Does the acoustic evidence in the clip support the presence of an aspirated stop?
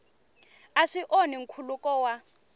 yes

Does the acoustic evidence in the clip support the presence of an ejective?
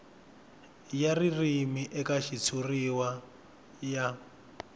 no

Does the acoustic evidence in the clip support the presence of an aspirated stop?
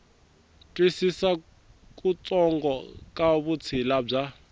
yes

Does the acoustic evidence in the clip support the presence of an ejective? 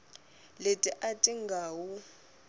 yes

